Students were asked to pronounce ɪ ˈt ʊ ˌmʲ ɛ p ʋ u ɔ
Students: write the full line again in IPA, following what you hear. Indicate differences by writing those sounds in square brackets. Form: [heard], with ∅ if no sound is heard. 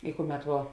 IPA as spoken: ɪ [ˈk] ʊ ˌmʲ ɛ [t] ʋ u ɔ

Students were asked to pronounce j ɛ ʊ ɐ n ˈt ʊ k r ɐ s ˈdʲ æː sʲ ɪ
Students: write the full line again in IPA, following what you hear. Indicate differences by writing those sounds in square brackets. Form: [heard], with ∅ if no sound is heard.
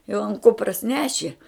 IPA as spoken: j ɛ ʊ ɐ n [ˈk] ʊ [p] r ɐ s [ˈnʲ] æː [ʃʲ] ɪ

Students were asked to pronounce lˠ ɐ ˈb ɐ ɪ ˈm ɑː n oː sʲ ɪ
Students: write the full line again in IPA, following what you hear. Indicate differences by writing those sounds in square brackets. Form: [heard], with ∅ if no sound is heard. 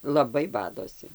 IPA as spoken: lˠ ɐ ˈb ɐ ɪ [ˈb] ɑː [d] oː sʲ ɪ

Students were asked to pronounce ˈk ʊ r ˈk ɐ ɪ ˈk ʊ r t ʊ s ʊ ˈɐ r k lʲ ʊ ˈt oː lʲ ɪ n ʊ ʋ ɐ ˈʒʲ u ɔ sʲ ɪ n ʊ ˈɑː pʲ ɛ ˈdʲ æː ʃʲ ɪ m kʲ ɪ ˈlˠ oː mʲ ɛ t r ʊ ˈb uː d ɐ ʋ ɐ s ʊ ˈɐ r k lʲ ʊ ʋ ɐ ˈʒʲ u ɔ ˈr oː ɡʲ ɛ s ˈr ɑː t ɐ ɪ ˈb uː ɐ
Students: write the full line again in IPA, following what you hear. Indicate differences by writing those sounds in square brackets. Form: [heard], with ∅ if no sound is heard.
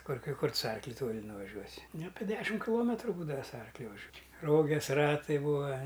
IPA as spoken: ˈk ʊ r ˈk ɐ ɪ ˈk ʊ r t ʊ s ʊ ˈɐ r k lʲ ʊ ˈt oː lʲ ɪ n ʊ ʋ ɐ ˈʒʲ u ɔ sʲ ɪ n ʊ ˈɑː pʲ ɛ ˈdʲ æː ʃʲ ɪ m kʲ ɪ ˈlˠ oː mʲ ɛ t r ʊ ˈb uː d ɐ ʋ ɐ s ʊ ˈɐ r k lʲ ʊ ʋ ɐ ˈʒʲ u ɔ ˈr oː ɡʲ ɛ s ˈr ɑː t ɐ ɪ ˈb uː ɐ

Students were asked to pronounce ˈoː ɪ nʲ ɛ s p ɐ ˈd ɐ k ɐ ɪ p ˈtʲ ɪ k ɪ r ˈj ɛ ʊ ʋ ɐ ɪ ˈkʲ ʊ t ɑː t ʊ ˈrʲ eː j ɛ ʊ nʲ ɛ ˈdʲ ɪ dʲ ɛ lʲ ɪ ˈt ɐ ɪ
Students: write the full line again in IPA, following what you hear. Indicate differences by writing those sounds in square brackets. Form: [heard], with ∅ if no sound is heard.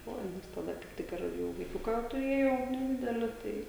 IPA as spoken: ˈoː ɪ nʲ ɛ s [t] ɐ ˈd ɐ k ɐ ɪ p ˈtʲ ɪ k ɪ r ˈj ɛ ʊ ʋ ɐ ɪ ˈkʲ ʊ [k] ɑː t ʊ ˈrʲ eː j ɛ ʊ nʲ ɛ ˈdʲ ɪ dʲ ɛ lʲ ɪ ˈt ɐ ɪ

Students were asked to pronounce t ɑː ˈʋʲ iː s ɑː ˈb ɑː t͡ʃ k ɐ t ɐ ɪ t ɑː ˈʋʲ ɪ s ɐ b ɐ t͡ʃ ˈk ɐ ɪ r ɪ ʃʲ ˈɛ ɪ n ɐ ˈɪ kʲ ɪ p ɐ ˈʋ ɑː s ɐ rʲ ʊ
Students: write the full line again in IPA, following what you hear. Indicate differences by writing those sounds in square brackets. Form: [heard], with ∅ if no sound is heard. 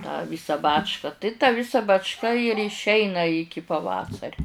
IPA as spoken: t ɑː ˈʋʲ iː s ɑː ˈb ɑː t͡ʃ k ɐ t ɐ ɪ t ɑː ˈʋʲ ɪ s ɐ b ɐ t͡ʃ ˈk ɐ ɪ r ɪ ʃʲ ˈɛ ɪ n ɐ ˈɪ kʲ ɪ p ɐ ˈʋ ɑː s ɐ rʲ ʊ

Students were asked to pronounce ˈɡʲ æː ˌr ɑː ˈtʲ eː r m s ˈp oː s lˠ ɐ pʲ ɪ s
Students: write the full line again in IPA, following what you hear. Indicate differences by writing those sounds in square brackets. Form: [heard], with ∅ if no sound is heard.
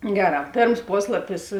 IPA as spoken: ˈɡʲ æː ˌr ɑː [ˈpʲ] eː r m s ˈp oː s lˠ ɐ pʲ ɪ s

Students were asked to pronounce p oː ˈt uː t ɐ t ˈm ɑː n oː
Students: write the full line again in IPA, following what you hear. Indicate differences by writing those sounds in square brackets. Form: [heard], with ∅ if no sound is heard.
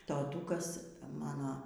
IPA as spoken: [t] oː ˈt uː [k] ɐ [s] ˈm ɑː n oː

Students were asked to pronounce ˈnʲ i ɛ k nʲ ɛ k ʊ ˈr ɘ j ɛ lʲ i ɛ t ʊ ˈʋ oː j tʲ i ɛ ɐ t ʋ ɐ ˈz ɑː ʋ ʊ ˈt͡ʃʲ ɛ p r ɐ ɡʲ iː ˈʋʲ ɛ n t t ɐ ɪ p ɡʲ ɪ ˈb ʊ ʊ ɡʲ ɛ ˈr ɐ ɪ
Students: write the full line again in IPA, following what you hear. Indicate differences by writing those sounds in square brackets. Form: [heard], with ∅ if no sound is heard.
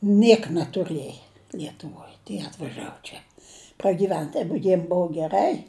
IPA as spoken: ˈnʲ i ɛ k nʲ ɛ [t] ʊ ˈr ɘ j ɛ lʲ i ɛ t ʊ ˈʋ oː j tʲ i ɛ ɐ t ʋ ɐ [ˈʒ] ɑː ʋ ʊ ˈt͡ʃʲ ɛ p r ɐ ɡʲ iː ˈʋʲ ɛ n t t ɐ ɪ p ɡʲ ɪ ˈb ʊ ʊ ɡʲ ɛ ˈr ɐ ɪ

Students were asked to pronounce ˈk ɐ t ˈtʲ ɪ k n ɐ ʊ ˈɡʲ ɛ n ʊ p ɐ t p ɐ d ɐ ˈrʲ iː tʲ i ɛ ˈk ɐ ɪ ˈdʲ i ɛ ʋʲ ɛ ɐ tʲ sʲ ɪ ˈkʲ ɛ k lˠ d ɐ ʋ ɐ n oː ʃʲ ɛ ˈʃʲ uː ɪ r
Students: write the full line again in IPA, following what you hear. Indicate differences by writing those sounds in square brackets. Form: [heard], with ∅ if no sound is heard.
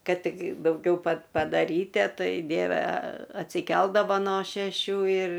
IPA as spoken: ˈk ɐ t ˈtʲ ɪ k [d] ɐ ʊ ˈɡʲ ɛ [∅] ʊ p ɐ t p ɐ d ɐ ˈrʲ iː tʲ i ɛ [ˈt] ɐ ɪ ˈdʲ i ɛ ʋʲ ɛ ɐ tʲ sʲ ɪ ˈkʲ ɛ [∅] lˠ d ɐ ʋ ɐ n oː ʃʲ ɛ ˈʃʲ uː ɪ r

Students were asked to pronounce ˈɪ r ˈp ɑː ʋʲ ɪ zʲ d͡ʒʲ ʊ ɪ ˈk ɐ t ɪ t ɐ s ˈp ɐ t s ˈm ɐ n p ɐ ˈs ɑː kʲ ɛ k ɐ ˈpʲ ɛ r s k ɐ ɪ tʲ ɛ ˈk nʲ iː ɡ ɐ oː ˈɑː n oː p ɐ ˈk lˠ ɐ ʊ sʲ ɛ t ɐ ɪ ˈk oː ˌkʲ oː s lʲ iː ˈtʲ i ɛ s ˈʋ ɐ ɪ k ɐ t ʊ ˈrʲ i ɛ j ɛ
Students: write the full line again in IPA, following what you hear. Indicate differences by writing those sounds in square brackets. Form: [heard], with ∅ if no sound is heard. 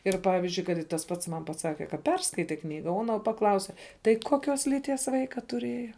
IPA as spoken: ˈɪ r ˈp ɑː ʋʲ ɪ zʲ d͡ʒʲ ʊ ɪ ˈk ɐ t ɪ t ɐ s ˈp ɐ t s ˈm ɐ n p ɐ ˈs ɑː kʲ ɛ k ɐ ˈpʲ ɛ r s k ɐ ɪ tʲ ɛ ˈk nʲ iː ɡ ɐ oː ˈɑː n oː p ɐ ˈk lˠ ɐ ʊ sʲ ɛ t ɐ ɪ ˈk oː ˌkʲ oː s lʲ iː ˈtʲ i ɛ s ˈʋ ɐ ɪ k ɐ t ʊ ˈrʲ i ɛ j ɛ

